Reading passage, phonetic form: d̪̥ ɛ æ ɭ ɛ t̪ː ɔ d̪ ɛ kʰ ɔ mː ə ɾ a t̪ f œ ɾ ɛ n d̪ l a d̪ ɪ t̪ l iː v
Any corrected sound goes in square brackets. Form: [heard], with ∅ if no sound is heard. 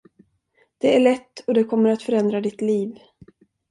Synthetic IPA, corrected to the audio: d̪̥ ɛ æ ɭ ɛ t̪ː ɔ d̪ ɛ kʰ ɔ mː ə ɾ a t̪ f œ ɾ ɛ n d̪ [ɾ] a d̪ ɪ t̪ l iː v